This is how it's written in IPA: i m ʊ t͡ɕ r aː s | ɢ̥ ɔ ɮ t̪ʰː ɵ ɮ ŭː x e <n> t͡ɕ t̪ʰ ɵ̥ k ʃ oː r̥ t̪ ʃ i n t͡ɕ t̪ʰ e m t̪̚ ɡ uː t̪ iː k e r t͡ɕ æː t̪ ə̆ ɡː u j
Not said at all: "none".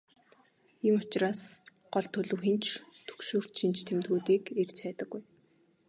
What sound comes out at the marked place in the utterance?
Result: n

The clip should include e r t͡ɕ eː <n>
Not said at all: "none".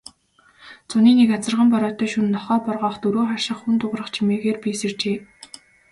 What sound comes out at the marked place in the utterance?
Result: none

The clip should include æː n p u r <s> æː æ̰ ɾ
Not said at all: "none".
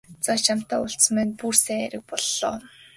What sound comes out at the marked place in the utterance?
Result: s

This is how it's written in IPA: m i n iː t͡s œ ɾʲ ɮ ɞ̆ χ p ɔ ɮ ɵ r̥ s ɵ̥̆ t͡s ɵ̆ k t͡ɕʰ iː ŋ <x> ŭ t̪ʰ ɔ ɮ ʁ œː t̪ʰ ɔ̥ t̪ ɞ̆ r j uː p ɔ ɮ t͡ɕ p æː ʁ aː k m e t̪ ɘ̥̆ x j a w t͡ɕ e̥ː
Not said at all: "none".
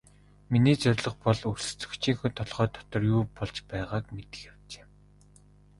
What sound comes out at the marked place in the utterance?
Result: x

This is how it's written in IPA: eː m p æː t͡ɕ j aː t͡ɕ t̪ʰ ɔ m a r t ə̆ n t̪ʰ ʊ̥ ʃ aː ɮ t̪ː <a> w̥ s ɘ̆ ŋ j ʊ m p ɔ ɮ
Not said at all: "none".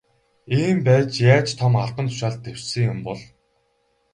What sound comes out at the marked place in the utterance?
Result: e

